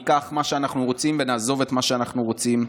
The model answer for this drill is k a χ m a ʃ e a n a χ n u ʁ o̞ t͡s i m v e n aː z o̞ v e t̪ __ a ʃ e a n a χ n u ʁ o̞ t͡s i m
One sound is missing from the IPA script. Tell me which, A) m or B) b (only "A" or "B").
A